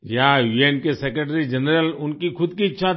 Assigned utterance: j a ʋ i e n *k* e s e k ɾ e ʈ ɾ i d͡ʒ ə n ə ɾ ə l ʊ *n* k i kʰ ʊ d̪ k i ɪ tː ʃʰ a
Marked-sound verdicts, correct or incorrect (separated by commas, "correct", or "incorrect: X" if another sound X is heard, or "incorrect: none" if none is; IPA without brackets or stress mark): correct, correct